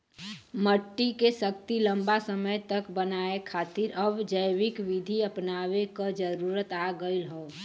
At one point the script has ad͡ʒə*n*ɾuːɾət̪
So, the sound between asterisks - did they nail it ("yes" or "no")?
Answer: no